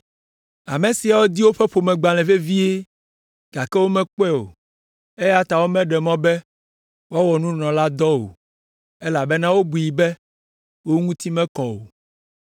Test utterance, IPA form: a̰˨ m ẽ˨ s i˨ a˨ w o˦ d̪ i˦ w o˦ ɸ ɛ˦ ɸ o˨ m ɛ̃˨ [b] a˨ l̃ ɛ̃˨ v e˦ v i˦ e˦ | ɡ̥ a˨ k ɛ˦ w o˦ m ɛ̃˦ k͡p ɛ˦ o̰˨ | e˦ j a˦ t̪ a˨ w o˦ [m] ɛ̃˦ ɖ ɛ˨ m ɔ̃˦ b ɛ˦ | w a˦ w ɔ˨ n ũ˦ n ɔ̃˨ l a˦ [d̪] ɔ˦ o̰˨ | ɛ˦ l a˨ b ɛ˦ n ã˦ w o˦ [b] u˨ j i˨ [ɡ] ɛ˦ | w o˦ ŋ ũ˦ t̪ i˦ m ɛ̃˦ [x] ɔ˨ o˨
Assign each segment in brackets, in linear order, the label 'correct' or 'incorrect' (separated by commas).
incorrect, correct, correct, correct, incorrect, incorrect